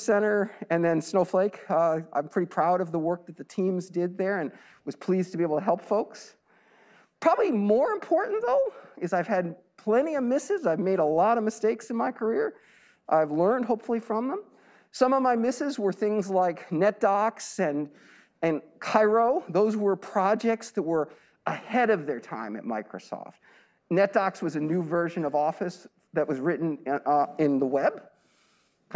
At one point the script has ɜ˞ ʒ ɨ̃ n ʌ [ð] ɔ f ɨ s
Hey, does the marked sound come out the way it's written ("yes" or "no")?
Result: no